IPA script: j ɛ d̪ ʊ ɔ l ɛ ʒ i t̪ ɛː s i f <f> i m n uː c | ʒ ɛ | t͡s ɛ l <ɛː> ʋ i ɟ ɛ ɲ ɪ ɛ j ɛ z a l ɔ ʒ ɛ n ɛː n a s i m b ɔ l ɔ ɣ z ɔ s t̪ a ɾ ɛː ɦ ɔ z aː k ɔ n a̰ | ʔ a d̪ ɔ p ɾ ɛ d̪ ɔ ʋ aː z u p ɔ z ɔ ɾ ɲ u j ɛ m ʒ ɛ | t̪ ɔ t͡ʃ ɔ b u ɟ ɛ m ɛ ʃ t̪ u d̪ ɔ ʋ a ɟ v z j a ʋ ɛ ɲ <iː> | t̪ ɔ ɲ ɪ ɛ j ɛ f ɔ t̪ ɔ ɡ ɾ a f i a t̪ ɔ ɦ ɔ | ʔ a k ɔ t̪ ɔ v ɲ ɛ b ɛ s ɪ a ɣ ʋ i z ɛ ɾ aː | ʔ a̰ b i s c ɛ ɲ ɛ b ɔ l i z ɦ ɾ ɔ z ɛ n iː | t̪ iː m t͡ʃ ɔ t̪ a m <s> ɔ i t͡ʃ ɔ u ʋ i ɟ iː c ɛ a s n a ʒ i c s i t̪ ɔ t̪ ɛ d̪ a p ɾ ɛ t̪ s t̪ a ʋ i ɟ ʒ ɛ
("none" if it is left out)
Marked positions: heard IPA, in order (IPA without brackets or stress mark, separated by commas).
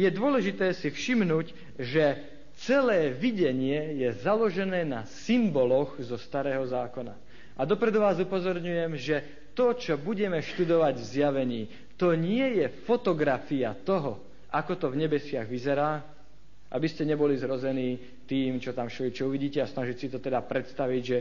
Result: ʃ, ɛː, iː, ʃ